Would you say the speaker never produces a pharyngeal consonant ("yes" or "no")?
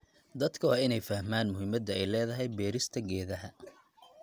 yes